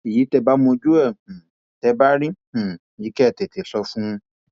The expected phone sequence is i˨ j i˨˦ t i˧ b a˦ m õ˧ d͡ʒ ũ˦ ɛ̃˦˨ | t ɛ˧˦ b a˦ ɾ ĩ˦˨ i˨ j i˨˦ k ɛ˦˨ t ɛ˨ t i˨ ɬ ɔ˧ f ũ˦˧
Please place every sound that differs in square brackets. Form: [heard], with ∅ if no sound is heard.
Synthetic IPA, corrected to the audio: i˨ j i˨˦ t [ɛ˧] b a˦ m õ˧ d͡ʒ [u˦] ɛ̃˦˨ | t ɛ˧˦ b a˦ ɾ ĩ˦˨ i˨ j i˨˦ k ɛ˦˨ t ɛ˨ t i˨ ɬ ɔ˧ f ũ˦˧